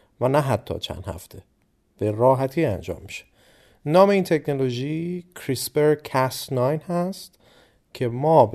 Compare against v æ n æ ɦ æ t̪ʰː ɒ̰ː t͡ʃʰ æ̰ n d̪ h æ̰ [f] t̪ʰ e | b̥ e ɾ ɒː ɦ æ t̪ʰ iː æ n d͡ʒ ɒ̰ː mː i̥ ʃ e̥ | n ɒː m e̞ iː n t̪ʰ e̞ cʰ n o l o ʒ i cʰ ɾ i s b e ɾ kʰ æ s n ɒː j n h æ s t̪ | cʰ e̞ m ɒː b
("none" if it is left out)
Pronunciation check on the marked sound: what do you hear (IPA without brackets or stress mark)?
f